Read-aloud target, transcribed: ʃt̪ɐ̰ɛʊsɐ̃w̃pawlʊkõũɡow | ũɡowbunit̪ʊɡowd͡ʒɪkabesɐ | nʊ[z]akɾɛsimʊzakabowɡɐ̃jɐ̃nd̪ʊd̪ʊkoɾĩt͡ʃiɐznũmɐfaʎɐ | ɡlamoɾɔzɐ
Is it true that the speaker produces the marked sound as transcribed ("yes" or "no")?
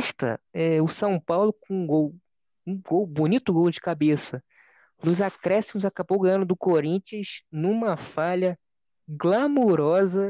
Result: yes